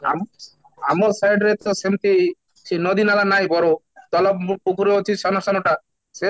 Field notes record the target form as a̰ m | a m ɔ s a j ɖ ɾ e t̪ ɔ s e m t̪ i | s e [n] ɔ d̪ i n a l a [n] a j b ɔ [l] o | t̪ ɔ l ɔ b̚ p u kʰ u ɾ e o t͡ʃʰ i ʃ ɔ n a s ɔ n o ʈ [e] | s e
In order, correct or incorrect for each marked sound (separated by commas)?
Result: correct, correct, incorrect, incorrect